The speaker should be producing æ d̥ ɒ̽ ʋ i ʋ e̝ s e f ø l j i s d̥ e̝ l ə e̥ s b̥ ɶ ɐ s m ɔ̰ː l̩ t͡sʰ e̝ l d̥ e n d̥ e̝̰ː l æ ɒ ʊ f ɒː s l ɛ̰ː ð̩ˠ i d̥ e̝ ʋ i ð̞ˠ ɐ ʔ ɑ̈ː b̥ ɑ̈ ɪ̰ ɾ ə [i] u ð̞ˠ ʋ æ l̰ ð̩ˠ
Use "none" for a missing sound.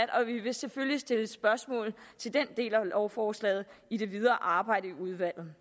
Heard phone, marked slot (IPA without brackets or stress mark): i